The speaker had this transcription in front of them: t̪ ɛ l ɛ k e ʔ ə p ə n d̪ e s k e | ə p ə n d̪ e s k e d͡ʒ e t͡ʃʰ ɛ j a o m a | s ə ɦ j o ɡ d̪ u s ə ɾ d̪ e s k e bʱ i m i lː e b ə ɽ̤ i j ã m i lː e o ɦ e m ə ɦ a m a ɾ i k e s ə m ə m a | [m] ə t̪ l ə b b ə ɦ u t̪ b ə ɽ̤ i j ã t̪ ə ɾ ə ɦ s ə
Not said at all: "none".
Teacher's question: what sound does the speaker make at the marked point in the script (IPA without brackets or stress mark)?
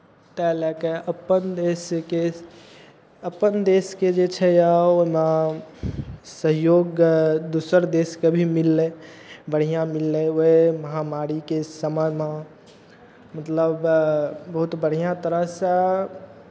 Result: m